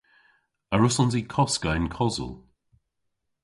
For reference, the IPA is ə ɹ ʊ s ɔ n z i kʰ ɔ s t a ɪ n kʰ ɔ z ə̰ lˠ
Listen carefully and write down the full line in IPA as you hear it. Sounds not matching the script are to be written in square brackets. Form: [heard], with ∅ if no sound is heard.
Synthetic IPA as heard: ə ɹ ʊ s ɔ n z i kʰ ɔ s [k] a ɪ n kʰ ɔ z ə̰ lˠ